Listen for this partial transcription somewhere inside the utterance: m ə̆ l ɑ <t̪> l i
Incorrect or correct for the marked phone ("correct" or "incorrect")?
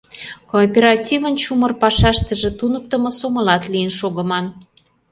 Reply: correct